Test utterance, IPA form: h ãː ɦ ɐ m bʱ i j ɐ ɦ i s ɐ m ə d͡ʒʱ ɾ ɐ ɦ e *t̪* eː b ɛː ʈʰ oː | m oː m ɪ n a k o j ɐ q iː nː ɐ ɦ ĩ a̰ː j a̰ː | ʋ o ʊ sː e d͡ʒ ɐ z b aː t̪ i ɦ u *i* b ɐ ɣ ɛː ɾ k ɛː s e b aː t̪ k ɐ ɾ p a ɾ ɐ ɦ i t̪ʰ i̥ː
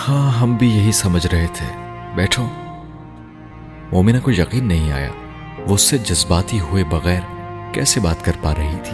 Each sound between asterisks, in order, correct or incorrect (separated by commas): incorrect, incorrect